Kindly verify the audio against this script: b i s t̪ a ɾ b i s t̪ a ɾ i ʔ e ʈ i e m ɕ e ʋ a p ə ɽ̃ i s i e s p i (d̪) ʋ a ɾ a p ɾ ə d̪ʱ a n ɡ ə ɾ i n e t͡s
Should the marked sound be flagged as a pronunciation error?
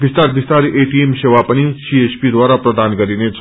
no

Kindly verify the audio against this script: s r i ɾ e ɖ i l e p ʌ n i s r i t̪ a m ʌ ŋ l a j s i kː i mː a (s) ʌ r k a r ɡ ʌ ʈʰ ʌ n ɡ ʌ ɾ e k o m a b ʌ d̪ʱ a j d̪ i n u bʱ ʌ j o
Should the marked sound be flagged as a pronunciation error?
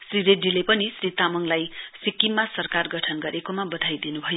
no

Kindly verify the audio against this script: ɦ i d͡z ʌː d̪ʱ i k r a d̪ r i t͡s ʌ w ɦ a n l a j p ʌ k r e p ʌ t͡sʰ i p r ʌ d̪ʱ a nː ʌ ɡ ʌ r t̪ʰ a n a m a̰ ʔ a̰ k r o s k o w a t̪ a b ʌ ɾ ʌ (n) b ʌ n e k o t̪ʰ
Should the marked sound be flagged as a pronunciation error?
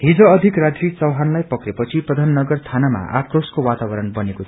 no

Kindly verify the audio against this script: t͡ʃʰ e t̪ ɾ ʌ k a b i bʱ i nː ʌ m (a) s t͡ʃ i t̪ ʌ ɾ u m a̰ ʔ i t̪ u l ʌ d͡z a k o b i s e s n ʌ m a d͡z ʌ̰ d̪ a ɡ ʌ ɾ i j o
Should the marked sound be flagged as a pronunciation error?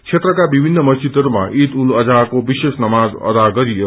yes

